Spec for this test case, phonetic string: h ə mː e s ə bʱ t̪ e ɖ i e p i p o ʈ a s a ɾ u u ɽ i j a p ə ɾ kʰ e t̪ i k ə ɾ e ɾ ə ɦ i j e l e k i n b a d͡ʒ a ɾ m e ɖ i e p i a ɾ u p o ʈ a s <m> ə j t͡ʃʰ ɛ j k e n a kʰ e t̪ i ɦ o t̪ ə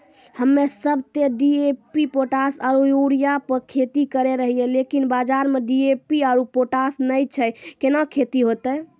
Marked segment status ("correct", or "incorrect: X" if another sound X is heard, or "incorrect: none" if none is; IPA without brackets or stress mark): incorrect: n